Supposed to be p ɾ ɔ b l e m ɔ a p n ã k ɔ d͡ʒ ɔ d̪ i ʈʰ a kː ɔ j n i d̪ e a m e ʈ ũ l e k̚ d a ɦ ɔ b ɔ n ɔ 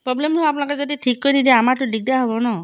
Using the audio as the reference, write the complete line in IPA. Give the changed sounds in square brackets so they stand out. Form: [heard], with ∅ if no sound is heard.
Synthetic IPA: p ɾ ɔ b l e m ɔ a p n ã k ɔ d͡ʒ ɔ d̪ i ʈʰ [i] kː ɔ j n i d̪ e a m [a] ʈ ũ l [i] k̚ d a ɦ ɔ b ɔ n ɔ